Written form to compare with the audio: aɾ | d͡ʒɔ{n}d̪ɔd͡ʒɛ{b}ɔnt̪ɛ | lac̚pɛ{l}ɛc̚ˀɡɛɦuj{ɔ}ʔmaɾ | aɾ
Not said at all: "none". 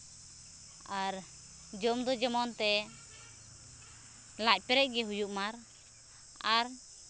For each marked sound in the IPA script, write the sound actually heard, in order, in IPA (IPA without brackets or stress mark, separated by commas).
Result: m, m, ɾ, u